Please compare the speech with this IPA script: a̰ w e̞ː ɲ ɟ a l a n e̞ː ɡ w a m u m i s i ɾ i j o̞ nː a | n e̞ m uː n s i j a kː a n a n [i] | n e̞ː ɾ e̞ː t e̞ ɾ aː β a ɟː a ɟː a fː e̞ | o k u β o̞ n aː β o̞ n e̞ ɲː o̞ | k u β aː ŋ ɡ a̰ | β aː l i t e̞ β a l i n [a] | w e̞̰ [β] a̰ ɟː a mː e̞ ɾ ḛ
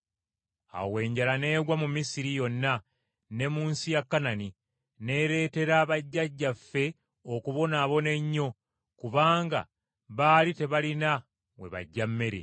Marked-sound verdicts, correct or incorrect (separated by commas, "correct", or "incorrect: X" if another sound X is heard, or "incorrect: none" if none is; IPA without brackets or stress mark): correct, correct, correct